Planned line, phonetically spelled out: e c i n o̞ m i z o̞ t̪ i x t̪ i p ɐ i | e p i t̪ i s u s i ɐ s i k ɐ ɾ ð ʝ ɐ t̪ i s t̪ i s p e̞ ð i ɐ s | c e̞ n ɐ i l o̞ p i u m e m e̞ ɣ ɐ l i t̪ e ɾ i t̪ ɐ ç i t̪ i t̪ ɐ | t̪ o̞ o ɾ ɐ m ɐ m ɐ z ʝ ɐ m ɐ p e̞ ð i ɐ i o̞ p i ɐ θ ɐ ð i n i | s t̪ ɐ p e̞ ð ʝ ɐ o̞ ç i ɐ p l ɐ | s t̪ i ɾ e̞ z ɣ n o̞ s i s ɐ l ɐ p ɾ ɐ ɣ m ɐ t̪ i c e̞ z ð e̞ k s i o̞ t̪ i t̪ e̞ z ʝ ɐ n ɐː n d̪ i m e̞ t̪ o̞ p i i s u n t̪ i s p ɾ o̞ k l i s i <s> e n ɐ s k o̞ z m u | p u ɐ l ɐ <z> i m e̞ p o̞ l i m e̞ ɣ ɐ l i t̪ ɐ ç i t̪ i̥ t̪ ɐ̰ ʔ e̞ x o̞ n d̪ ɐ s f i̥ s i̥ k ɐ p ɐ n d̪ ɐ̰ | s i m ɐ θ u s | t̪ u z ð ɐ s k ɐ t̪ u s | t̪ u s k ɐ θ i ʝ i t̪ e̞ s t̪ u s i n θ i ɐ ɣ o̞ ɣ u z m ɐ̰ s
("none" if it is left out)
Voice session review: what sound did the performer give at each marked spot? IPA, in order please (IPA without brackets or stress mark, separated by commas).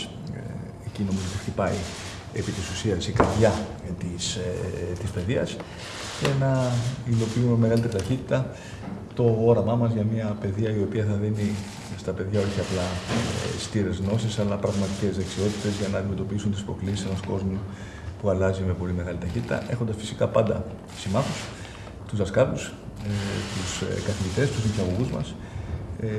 s, z